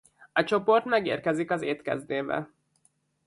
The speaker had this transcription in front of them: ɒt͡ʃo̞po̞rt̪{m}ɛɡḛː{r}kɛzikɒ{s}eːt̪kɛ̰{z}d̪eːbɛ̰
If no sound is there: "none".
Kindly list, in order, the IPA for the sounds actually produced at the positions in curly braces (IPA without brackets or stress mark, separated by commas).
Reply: m, r, z, z